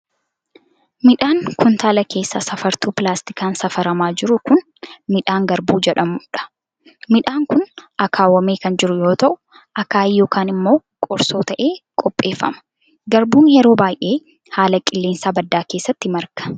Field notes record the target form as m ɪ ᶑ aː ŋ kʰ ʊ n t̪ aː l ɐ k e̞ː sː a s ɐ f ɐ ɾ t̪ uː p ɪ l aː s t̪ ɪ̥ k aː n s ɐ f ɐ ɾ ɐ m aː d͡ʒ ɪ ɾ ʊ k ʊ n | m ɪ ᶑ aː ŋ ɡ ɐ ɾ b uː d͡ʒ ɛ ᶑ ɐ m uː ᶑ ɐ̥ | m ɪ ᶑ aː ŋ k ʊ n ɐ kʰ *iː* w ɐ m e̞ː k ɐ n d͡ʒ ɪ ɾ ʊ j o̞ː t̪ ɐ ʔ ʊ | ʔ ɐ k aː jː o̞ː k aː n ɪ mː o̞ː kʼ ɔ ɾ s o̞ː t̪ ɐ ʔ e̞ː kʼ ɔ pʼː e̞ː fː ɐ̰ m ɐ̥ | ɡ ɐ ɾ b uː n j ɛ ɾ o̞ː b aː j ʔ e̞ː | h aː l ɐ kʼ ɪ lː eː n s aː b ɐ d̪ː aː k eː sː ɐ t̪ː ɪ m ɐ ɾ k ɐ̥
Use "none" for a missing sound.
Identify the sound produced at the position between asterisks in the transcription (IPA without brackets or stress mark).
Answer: aː